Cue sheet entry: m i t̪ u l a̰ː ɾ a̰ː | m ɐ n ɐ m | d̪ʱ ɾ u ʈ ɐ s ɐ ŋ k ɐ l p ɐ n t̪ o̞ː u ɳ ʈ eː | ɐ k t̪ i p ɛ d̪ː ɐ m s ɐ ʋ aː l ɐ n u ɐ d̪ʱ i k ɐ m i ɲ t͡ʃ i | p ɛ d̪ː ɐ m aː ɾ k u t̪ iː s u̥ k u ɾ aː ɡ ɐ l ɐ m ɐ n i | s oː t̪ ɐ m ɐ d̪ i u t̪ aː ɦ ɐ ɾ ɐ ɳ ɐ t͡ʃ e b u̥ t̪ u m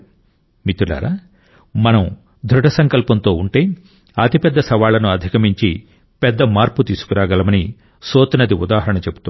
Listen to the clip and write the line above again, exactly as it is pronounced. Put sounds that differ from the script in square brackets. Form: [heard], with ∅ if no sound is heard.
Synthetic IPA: m i t̪ u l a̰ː ɾ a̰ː | m ɐ n ɐ m | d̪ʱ ɾ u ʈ ɐ s ɐ ŋ k ɐ l p ɐ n t̪ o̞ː u ɳ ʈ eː | ɐ [∅] t̪ i p ɛ d̪ː ɐ [∅] s ɐ ʋ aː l ɐ n u ɐ d̪ʱ i k ɐ m i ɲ t͡ʃ i | p ɛ d̪ː ɐ m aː ɾ [p] u t̪ iː s u̥ k u ɾ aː ɡ ɐ l ɐ m ɐ n i | s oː t̪ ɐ [n] ɐ d̪ i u [d̪] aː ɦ ɐ ɾ ɐ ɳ ɐ t͡ʃ e b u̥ t̪ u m

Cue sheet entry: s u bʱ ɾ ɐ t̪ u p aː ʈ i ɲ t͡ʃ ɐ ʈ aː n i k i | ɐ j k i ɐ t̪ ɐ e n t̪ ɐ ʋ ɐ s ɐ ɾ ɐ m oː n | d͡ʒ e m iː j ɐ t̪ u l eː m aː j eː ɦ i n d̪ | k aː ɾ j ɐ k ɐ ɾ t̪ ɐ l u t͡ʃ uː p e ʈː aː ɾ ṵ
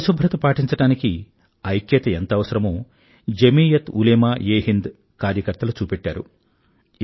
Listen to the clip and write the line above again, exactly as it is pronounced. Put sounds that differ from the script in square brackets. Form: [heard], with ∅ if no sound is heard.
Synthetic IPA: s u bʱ ɾ ɐ t̪ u p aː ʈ i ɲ t͡ʃ ɐ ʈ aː n i k i | ɐ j k [j] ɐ t̪ ɐ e n t̪ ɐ ʋ ɐ s ɐ ɾ ɐ m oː [∅] | d͡ʒ e m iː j ɐ t̪ u l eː m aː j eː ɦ i n d̪ | k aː ɾ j ɐ k ɐ ɾ t̪ ɐ l u t͡ʃ uː p e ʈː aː ɾ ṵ

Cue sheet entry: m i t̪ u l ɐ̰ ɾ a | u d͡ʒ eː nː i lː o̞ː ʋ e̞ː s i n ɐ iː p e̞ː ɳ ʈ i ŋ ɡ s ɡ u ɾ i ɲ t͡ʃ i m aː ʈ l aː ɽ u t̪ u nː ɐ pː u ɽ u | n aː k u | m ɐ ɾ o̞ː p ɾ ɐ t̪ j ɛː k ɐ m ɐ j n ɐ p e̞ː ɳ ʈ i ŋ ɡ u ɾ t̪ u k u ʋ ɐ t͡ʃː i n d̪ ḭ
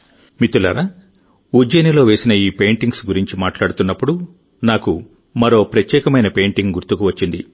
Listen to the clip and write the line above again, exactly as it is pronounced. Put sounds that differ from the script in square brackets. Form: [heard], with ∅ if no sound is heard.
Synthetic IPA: m i t̪ u l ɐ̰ ɾ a | u d͡ʒ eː [n] i [l] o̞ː ʋ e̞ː s i n ɐ iː p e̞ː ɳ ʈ i ŋ ɡ s ɡ u ɾ i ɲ t͡ʃ i m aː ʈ l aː ɽ u t̪ u nː ɐ pː u ɽ u | n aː k u | m ɐ ɾ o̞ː p ɾ ɐ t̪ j ɛː k ɐ m ɐ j n ɐ p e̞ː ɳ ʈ i ŋ ɡ u ɾ t̪ u k u ʋ ɐ t͡ʃː i n d̪ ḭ

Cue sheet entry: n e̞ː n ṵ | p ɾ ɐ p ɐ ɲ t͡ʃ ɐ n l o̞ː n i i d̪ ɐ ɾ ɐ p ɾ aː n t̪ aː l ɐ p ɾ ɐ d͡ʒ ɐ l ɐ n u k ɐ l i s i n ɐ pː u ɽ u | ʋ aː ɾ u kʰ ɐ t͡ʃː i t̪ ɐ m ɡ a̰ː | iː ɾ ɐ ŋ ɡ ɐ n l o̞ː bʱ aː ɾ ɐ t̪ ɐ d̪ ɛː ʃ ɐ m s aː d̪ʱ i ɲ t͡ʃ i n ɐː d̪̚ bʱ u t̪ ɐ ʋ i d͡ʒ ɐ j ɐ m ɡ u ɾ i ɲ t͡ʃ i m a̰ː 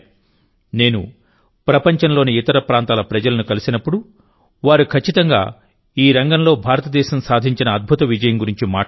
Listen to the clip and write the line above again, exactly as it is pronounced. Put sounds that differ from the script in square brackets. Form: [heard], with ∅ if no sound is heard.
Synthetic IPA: n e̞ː n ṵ | p ɾ ɐ p ɐ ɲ t͡ʃ ɐ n l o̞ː n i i [t̪] ɐ ɾ ɐ p ɾ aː n t̪ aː l ɐ p ɾ ɐ d͡ʒ ɐ l ɐ n u k ɐ l i s i n ɐ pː u ɽ u | ʋ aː ɾ u kʰ ɐ t͡ʃː i t̪ ɐ [ŋ] ɡ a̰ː | iː ɾ ɐ ŋ ɡ ɐ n l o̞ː bʱ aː ɾ ɐ t̪ ɐ d̪ ɛː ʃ ɐ m s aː d̪ʱ i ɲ t͡ʃ i n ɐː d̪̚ bʱ u t̪ ɐ ʋ i d͡ʒ ɐ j ɐ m ɡ u ɾ i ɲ t͡ʃ i m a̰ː

